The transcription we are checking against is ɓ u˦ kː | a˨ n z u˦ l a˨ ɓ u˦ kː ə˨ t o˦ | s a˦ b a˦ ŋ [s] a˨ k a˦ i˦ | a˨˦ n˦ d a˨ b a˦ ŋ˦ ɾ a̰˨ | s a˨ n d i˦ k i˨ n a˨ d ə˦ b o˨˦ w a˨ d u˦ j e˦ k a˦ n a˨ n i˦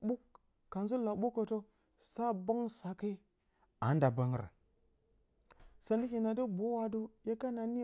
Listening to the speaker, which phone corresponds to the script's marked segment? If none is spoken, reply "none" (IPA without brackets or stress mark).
s